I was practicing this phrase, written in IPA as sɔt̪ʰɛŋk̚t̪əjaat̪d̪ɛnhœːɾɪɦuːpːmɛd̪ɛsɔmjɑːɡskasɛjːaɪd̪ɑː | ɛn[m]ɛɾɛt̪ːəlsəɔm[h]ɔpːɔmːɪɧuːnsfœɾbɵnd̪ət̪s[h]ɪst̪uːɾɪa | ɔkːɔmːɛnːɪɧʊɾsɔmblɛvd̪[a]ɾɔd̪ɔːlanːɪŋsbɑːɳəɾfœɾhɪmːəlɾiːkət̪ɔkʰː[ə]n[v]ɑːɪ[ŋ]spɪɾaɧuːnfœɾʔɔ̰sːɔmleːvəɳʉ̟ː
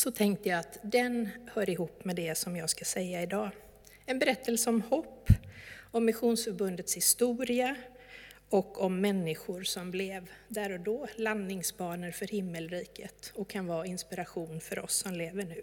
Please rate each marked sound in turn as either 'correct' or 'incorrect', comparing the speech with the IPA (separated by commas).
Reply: incorrect, correct, correct, incorrect, incorrect, correct, incorrect